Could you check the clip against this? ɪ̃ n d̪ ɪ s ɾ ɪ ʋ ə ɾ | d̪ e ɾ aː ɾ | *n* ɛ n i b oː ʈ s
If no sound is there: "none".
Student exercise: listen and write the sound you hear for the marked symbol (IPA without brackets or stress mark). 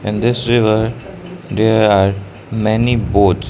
m